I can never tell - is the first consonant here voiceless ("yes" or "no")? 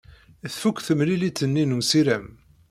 yes